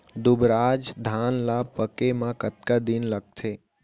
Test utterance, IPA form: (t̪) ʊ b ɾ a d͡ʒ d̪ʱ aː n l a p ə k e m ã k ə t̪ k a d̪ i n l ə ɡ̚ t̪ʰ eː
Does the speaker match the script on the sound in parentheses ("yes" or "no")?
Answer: no